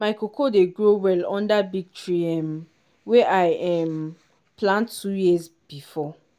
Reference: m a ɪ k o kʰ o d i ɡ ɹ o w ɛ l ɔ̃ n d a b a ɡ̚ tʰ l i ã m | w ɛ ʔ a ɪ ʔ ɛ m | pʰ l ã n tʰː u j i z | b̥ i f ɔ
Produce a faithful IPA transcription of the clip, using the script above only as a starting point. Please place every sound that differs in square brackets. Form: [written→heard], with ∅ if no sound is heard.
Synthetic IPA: m a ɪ k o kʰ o d [i→e] ɡ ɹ o w ɛ l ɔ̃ n d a b [a→i] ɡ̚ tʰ [l→ɹ] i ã m | w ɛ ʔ a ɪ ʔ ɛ m | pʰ l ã n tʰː u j i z | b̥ i f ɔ